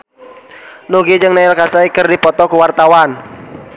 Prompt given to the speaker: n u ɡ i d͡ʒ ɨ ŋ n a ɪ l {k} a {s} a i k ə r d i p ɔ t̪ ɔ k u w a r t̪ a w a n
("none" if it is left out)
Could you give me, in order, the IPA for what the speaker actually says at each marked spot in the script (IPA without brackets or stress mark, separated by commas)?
k, s